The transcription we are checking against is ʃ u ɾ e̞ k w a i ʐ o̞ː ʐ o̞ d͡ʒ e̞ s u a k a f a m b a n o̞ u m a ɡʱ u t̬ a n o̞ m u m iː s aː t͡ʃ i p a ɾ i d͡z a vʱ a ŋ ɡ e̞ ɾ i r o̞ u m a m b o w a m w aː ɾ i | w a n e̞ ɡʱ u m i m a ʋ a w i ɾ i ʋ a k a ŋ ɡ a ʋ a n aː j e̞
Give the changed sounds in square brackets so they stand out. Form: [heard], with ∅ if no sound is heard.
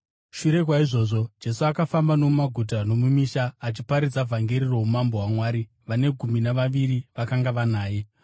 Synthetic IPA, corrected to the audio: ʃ u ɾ e̞ k w a i ʐ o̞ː ʐ o̞ d͡ʒ e̞ s u a k a f a m b a n o̞ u m a ɡʱ u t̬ a n o̞ m u m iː [ʃ] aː t͡ʃ i p a ɾ i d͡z a vʱ a ŋ ɡ e̞ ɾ i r o̞ u m a m b o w a m w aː ɾ i | [ʋ] a n e̞ ɡʱ u m i [n] a ʋ a [ʋ] i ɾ i ʋ a k a ŋ ɡ a ʋ a n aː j e̞